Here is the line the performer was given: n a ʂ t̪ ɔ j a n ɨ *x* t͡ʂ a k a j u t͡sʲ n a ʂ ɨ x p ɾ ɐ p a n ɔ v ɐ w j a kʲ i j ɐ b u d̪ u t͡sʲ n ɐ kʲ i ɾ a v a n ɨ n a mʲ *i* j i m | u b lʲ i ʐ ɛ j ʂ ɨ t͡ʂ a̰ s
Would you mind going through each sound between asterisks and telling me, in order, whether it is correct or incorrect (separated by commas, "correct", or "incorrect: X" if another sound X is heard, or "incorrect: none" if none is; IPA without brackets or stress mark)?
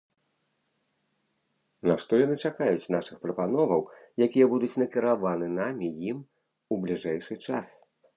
incorrect: none, correct